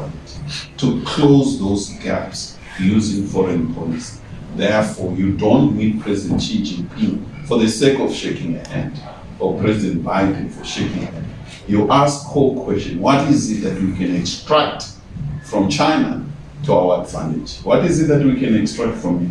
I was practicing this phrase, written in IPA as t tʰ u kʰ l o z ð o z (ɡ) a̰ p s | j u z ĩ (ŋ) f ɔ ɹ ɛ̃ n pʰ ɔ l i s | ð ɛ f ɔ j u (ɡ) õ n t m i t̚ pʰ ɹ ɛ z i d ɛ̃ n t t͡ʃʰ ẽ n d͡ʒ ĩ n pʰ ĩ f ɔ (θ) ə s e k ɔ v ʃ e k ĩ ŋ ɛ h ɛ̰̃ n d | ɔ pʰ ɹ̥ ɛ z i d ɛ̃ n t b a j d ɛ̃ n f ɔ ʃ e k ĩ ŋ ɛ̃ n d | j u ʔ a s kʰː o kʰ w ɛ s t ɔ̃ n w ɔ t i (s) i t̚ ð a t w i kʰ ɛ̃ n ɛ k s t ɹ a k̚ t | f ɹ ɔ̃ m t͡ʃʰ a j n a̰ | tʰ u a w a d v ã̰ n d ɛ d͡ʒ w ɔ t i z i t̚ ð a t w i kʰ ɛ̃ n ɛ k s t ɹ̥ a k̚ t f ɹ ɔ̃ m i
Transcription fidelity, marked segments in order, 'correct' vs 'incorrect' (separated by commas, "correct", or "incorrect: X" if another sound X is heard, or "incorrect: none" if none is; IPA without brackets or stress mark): correct, correct, incorrect: d, incorrect: ð, incorrect: z